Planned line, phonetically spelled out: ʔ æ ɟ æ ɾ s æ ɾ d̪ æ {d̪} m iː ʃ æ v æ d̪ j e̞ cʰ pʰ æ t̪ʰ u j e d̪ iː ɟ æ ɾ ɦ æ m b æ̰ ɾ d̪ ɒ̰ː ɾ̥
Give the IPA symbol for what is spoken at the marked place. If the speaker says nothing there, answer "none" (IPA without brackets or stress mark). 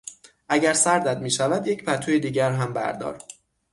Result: d̪